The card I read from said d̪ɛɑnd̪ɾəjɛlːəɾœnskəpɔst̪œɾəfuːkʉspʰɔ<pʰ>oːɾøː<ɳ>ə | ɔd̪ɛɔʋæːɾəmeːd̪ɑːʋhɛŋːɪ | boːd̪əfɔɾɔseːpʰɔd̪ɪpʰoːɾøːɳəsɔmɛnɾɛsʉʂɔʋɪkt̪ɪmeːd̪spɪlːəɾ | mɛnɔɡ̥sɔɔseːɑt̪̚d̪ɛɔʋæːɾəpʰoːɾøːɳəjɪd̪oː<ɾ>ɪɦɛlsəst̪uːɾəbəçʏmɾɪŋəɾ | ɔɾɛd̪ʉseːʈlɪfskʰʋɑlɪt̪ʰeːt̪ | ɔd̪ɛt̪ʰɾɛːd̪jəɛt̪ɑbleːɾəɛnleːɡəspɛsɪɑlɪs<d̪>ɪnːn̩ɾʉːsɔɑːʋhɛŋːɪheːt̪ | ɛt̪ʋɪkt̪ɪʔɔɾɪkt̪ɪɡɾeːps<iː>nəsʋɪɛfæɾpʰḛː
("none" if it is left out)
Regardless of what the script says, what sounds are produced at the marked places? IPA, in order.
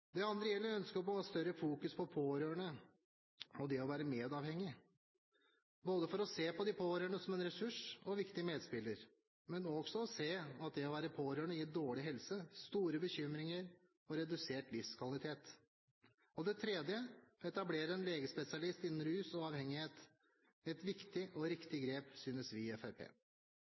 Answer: pʰ, ɳ, ɭ, t̪, yː

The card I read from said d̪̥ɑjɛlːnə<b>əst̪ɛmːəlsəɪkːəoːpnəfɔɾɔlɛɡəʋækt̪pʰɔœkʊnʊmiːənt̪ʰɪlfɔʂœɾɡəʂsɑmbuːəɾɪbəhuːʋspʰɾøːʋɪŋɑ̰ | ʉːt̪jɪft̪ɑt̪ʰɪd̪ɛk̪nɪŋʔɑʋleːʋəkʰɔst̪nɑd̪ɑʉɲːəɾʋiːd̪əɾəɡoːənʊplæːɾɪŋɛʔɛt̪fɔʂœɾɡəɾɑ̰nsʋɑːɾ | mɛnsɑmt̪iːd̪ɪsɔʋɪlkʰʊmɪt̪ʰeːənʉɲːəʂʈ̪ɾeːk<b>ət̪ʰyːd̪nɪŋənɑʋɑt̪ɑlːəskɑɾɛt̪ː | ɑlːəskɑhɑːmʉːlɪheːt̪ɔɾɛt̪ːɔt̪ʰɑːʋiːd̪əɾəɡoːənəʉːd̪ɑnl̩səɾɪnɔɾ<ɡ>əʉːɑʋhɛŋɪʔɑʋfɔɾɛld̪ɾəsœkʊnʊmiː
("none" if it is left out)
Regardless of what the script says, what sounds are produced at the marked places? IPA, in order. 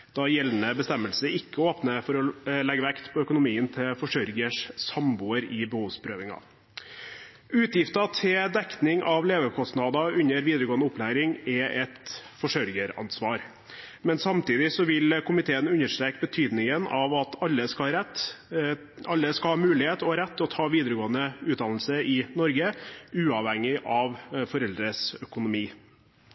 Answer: b, b, ɡ

